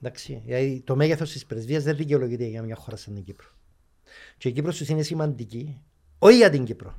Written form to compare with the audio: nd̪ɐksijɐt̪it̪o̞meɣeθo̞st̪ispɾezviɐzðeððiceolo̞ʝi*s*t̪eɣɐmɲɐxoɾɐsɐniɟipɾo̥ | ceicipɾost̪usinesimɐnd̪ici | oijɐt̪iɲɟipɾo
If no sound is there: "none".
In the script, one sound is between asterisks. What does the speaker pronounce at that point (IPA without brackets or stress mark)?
none